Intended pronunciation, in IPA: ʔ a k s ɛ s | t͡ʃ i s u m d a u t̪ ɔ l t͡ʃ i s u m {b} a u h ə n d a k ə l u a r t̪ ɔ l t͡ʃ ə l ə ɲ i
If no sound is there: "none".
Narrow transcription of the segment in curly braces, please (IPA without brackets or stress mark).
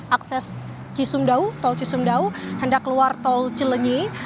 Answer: d